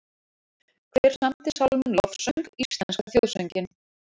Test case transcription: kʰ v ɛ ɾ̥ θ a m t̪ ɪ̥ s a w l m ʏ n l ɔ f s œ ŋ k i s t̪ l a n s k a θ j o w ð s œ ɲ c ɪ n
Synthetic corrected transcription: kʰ v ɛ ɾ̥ s a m t̪ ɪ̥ s a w l m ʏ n l ɔ f s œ ŋ k i s t̪ l a n s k a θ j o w ð s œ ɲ c ɪ n